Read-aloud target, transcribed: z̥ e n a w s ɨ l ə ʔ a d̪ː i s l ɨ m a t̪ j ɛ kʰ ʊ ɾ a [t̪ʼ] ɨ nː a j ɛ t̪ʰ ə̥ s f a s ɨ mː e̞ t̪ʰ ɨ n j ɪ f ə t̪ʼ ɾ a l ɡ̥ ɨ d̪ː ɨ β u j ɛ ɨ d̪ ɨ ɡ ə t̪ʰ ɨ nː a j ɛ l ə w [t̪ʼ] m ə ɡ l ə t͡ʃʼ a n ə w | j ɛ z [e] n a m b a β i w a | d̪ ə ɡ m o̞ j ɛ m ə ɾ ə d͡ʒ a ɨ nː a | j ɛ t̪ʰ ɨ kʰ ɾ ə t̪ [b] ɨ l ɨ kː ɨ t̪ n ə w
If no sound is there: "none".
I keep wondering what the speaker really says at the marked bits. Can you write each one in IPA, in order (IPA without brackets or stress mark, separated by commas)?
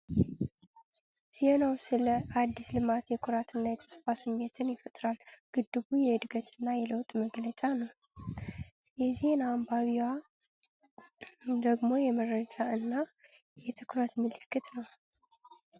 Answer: t̪, t̪ʼ, e, m